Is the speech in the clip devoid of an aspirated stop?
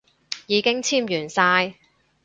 no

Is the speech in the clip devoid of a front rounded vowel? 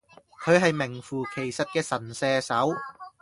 yes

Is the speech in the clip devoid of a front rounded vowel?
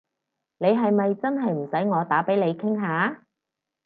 yes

